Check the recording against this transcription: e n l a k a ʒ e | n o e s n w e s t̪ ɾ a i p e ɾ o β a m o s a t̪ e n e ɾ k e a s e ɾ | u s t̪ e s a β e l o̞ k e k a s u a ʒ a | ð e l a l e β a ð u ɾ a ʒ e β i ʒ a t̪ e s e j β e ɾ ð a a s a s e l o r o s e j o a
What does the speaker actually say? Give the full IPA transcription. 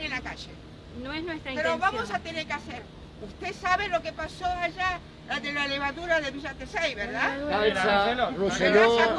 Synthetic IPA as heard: e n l a k a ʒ e | n o e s n w e s t̪ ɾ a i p e ɾ o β a m o s a t̪ e n e ɾ k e a s e ɾ | u s t̪ e s a β e l o̞ k e p a s o a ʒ a | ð e l a l e β a ð u ɾ a ð e β i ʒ a t̪ e s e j β e ɾ ð a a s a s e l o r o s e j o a